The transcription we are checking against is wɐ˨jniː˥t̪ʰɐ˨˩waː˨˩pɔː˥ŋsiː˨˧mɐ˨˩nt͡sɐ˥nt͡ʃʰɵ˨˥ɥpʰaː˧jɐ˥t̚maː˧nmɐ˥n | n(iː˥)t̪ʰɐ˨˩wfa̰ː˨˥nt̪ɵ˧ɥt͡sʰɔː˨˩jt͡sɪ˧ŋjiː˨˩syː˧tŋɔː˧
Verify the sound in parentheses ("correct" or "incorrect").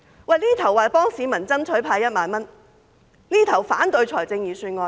correct